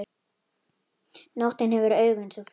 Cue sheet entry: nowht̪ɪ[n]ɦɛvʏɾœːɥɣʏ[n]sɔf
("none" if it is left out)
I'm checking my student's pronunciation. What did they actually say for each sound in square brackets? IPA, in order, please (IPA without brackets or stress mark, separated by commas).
n, n